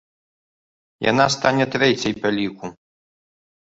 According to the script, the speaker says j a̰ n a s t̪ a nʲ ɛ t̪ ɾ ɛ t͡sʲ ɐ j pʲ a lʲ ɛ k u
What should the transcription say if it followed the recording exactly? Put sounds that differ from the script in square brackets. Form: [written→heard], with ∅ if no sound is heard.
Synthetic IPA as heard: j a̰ n a s t̪ a nʲ ɛ t̪ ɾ ɛ t͡sʲ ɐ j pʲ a lʲ [ɛ→i] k u